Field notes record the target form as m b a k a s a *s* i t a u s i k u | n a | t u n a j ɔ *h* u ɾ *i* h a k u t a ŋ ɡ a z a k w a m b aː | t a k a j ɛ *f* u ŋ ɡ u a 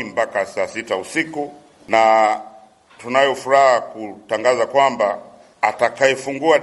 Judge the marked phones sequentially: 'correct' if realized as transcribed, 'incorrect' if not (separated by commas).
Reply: correct, incorrect, incorrect, correct